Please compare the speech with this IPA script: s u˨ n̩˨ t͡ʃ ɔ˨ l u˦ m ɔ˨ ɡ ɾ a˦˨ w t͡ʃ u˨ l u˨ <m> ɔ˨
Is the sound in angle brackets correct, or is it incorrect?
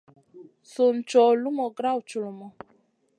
correct